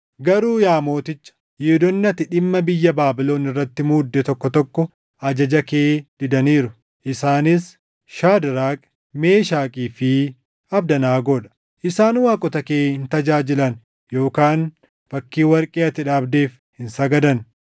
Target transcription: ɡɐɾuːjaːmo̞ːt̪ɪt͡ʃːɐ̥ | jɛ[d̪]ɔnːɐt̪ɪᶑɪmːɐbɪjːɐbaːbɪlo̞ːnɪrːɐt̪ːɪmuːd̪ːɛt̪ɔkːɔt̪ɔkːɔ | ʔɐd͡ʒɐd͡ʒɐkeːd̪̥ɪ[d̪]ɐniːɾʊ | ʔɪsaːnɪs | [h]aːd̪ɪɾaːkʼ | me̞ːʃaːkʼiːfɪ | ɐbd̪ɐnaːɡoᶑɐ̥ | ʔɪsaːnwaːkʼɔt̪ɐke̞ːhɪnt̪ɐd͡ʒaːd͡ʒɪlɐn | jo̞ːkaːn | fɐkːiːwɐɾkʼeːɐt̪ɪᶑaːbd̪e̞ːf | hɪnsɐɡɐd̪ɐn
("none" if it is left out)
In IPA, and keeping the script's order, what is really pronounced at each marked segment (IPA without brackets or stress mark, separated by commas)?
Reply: d̪, d̪, ʃ